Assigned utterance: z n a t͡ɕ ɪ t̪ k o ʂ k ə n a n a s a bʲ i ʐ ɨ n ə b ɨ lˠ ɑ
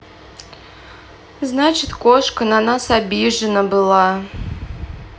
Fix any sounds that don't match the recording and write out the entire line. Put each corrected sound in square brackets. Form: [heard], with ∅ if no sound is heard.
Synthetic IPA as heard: z n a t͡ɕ ɪ t̪ k o ʂ k ə n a n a s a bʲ i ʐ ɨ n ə b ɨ lˠ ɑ